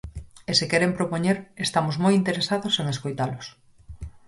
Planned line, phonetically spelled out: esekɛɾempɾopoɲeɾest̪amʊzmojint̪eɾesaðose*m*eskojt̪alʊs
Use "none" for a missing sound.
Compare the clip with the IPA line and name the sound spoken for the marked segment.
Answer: ŋ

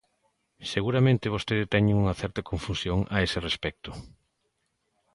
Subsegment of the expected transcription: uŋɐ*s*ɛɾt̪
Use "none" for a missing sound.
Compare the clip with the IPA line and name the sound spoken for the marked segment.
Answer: θ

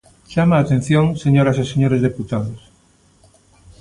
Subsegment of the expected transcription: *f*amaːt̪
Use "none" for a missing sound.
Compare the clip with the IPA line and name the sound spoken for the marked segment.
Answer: ʃ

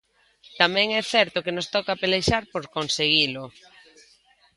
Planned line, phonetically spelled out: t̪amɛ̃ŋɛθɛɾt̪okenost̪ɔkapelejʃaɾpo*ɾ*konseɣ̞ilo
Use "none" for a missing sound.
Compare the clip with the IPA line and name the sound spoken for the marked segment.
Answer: ɾ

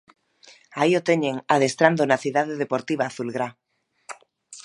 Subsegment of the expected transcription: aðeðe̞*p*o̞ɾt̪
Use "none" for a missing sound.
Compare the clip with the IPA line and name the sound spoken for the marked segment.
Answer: p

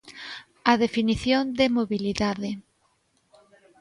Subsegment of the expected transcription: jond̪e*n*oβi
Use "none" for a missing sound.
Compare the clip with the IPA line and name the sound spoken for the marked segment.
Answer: m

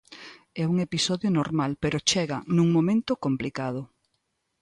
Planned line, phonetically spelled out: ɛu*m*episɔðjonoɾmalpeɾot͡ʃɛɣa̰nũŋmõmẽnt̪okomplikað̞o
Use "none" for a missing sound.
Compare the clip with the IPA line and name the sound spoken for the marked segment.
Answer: ŋ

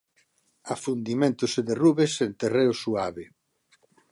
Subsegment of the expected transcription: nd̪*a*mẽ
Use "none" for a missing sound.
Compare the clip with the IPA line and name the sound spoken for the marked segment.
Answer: i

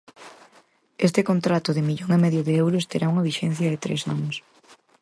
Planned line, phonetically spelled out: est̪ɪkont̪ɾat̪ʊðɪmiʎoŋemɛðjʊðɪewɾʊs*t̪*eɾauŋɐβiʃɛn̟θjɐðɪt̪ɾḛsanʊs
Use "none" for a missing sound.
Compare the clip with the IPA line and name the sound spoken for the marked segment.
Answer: t̪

